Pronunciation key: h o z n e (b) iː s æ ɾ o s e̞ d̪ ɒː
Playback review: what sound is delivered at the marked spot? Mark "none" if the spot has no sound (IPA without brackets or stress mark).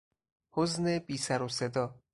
b